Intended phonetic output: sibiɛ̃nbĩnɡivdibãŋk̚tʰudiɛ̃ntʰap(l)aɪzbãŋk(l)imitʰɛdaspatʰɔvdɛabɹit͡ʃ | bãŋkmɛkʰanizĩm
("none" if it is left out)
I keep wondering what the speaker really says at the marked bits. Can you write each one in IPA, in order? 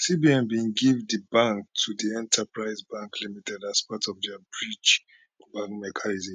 ɹ, l

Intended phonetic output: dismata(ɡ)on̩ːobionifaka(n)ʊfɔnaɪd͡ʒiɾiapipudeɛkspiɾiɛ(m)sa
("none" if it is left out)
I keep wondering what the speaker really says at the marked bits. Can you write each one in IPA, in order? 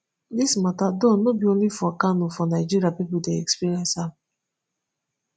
d, n, n

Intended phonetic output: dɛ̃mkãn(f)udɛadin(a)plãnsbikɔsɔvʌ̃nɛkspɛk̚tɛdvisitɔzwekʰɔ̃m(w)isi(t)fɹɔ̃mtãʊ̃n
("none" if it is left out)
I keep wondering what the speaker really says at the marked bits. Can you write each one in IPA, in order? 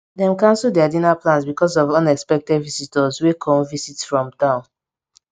s, a, v, t

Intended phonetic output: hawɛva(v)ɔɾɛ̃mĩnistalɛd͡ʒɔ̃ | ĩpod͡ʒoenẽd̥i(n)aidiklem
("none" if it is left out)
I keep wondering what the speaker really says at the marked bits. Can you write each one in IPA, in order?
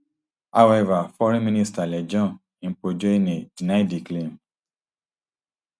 f, n

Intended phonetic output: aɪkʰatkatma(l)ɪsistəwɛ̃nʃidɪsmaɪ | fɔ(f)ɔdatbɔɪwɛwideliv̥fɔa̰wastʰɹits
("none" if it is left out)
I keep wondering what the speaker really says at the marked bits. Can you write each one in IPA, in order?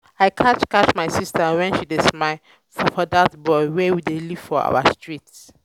none, f

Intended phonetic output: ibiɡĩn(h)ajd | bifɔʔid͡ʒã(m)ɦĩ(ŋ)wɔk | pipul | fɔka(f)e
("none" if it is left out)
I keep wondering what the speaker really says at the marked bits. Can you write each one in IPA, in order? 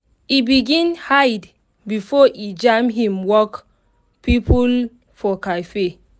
h, m, m, f

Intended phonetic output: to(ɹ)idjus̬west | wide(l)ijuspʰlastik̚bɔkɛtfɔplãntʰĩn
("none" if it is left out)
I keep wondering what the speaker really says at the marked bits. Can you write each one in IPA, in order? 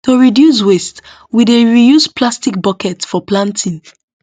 ɹ, ɹ

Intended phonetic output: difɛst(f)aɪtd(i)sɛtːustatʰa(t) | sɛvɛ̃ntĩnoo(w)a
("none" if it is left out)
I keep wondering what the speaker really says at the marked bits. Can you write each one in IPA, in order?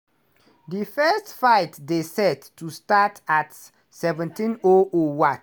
f, e, t, w

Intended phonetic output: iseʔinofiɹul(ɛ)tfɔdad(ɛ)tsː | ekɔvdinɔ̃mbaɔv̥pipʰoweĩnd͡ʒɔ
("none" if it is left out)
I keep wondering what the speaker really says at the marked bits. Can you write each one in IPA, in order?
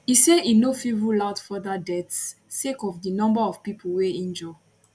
a, ɛ

